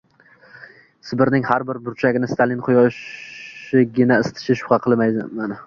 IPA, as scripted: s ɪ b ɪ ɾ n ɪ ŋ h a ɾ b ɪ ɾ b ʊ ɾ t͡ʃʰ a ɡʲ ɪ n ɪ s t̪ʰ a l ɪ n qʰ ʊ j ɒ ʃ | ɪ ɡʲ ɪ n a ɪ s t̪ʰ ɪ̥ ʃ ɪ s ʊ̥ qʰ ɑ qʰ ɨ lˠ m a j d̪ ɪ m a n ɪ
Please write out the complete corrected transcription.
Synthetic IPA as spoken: s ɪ b ɪ ɾ n ɪ ŋ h a ɾ b ɪ ɾ b ʊ ɾ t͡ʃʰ a ɡʲ ɪ n ɪ s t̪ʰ a l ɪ n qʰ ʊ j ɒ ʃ | ɪ ɡʲ ɪ n a ɪ s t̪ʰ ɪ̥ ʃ ɪ ʃ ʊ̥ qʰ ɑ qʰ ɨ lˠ m a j d̪ ɪ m a n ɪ